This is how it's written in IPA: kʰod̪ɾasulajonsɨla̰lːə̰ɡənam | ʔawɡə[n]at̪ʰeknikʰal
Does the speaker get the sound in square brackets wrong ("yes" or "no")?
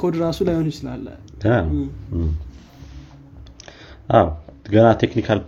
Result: no